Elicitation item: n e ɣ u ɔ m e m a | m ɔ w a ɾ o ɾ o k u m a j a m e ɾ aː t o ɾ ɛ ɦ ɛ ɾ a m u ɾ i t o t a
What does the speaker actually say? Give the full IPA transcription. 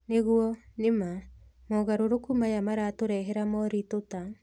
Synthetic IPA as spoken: n e ɣ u ɔ n e m a | m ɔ ɣ a ɾ o ɾ o k u m a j a m a ɾ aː t o ɾ ɛ ɦ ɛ ɾ a m ɔ ɾ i t o t a